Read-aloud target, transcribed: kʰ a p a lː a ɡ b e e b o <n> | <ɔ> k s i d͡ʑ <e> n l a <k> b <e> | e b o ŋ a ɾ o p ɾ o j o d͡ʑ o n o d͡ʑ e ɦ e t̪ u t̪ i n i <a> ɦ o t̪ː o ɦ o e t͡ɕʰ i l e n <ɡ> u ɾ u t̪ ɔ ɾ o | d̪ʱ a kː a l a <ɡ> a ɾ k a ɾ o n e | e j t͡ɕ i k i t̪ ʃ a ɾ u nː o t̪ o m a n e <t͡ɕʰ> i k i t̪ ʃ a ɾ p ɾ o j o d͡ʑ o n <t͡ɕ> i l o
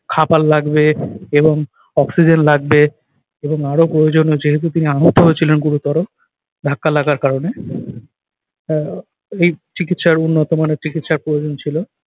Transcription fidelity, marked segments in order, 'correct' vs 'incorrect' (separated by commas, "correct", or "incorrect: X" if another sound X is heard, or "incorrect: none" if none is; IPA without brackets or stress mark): incorrect: ŋ, correct, correct, incorrect: ɡ, correct, correct, correct, correct, incorrect: t͡ɕ, incorrect: t͡ɕʰ